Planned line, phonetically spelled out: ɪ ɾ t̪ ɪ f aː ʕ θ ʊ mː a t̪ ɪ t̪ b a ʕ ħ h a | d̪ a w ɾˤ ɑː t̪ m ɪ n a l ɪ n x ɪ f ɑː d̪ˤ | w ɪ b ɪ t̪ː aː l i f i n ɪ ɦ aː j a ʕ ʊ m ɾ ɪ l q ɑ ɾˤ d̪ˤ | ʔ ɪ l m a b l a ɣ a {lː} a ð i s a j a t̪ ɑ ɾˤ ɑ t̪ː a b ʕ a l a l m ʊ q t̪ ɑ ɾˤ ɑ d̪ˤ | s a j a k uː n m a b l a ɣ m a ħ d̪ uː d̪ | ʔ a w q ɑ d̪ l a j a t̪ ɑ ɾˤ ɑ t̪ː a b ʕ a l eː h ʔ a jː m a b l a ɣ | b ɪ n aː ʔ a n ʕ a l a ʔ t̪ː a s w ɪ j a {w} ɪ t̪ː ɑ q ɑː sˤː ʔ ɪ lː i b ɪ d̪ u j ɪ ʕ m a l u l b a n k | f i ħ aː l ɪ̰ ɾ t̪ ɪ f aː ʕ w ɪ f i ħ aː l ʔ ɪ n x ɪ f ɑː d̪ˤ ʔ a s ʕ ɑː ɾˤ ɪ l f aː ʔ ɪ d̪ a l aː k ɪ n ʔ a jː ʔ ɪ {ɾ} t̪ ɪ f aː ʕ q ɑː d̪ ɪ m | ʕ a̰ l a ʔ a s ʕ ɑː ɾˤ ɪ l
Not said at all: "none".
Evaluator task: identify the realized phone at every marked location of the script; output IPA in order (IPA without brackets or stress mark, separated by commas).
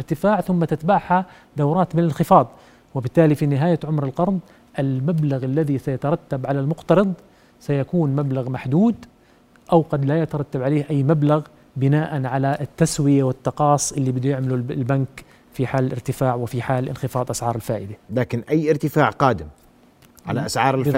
lː, w, ɾ